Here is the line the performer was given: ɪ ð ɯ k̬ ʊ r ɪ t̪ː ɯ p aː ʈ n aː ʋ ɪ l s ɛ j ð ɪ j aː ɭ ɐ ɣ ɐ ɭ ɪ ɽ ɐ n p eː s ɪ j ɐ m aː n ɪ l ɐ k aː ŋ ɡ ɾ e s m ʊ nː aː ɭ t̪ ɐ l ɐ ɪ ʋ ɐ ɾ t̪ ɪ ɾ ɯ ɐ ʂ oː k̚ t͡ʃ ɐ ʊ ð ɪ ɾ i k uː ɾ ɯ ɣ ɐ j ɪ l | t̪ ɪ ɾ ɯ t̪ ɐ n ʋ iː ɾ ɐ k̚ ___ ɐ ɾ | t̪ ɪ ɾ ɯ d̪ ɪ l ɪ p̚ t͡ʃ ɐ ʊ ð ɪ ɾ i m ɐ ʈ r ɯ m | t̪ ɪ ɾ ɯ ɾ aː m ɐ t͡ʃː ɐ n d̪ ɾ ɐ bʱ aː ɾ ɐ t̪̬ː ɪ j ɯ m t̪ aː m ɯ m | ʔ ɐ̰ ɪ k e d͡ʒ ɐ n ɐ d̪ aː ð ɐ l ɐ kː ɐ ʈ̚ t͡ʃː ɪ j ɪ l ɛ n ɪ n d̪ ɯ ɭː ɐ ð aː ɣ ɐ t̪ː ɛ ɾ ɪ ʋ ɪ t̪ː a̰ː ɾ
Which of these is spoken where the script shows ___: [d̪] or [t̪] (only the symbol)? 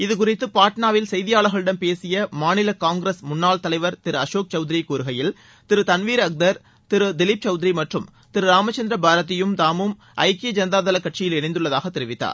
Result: d̪